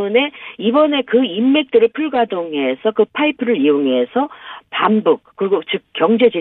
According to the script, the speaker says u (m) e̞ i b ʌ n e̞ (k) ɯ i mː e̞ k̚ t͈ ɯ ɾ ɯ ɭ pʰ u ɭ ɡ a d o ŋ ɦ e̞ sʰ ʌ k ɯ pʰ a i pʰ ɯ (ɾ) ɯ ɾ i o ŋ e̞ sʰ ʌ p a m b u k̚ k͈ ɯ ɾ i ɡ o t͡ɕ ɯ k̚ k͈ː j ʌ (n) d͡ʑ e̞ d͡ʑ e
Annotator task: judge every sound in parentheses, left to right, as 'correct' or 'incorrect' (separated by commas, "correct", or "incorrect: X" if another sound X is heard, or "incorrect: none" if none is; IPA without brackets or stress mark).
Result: incorrect: n, correct, correct, incorrect: ŋ